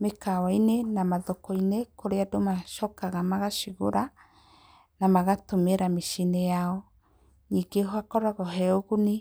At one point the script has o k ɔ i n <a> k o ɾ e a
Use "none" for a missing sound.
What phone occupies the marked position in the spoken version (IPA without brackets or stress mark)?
e